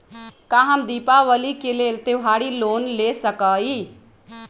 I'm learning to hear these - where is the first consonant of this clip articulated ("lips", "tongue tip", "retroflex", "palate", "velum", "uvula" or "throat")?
velum